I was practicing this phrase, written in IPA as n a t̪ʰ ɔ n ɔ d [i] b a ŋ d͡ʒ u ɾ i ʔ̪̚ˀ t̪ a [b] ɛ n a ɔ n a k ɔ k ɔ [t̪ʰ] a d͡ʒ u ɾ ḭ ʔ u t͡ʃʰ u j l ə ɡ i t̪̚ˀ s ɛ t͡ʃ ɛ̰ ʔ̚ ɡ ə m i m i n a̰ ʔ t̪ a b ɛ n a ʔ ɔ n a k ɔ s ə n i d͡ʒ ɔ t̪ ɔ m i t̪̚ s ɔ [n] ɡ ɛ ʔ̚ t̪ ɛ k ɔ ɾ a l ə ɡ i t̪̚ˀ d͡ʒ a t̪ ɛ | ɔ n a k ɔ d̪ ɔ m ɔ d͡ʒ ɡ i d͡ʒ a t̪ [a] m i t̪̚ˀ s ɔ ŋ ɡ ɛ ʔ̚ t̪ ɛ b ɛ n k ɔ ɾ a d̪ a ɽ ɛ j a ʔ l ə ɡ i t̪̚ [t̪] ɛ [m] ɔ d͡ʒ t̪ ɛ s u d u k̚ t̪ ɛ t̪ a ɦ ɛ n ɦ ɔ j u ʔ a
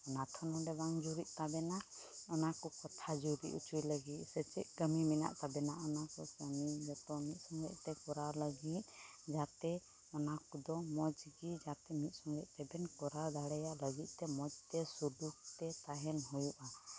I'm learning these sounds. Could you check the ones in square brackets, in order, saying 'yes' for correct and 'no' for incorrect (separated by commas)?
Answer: no, yes, yes, no, no, yes, yes